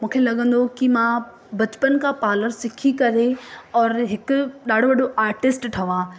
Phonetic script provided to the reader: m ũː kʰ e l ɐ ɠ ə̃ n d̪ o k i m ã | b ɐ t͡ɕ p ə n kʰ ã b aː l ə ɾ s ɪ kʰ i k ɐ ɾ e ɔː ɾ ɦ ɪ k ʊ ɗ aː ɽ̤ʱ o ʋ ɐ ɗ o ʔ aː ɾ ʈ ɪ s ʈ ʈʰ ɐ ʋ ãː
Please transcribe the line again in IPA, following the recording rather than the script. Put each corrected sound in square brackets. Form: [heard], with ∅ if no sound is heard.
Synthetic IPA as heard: m ũː kʰ e l ɐ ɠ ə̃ n d̪ o k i m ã | b ɐ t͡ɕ p ə n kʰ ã [p] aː l ə ɾ s ɪ kʰ i k ɐ ɾ e ɔː ɾ ɦ ɪ k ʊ ɗ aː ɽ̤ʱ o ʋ ɐ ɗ o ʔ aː ɾ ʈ ɪ s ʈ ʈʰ ɐ ʋ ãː